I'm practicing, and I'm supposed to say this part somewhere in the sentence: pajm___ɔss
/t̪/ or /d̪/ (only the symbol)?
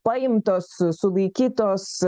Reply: t̪